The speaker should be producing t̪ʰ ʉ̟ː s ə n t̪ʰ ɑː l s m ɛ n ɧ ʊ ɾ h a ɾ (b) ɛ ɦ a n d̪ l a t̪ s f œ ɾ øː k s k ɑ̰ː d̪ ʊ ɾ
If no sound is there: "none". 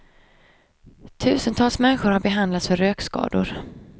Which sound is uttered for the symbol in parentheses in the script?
b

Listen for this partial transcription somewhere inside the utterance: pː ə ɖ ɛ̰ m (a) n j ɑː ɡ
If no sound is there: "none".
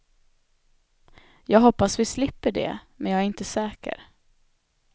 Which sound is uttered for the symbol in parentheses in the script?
ɛ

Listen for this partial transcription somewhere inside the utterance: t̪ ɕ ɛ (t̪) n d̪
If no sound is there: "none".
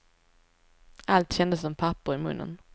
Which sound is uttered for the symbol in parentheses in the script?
none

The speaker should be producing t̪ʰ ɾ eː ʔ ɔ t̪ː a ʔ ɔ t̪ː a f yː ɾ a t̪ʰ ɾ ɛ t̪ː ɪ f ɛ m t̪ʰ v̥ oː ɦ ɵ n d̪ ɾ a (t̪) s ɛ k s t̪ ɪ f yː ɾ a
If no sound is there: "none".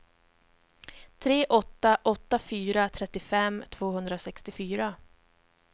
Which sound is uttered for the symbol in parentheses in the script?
none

